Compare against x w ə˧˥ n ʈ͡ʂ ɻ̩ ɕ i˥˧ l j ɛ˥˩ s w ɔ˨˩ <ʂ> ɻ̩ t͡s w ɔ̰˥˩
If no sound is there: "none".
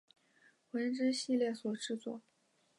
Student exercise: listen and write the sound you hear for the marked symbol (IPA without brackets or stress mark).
ʈ͡ʂ